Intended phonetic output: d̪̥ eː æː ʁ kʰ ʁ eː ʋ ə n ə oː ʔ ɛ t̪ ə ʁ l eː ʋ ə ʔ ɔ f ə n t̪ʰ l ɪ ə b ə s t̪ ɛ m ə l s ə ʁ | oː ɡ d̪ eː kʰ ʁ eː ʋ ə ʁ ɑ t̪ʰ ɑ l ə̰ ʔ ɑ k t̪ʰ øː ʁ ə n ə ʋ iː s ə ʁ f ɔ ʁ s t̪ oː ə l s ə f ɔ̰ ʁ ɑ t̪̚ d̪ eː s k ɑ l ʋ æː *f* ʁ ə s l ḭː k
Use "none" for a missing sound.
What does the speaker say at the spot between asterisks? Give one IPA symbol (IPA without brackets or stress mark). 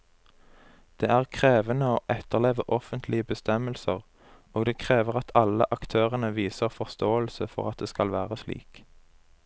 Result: none